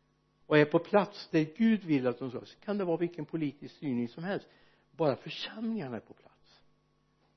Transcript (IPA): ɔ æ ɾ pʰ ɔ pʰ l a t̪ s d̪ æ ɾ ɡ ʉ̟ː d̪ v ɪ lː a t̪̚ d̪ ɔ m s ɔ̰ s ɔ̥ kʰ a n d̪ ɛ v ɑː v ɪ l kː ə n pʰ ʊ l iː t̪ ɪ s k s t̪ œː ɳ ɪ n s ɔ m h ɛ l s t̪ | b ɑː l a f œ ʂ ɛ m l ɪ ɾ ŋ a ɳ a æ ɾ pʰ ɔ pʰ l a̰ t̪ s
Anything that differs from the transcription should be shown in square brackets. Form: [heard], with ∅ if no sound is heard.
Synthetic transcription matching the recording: ɔ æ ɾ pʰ ɔ pʰ l a t̪ s d̪ æ ɾ ɡ ʉ̟ː d̪ v ɪ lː a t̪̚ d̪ ɔ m s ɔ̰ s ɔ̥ kʰ a n d̪ ɛ v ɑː v ɪ l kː ə n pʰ ʊ l iː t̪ ɪ s k s t̪ [yː] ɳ ɪ [ŋ] s ɔ m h ɛ l s t̪ | b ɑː [ɾ] a f œ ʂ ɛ m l ɪ [∅] ŋ a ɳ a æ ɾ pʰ ɔ pʰ l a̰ t̪ s